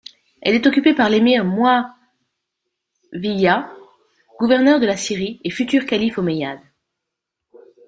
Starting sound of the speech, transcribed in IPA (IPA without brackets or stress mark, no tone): ɛ